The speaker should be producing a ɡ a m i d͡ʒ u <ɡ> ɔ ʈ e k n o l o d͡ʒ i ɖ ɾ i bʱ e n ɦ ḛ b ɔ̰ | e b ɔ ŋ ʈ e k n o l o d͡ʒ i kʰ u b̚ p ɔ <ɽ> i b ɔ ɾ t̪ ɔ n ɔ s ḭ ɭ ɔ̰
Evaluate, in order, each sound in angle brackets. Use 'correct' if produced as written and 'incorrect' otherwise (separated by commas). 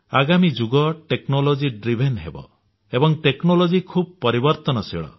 correct, incorrect